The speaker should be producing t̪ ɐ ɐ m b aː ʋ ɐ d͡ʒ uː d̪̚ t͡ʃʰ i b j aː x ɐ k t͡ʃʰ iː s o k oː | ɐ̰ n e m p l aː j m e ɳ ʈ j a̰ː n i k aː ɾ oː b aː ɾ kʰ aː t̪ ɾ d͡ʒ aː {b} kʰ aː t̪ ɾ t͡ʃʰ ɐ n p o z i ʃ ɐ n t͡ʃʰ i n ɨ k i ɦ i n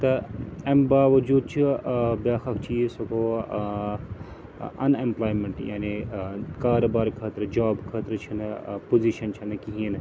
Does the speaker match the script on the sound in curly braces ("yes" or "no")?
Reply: yes